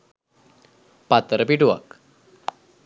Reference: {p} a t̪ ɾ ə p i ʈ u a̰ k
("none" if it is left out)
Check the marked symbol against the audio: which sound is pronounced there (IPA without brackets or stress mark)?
p